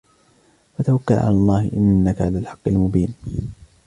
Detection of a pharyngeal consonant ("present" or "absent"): present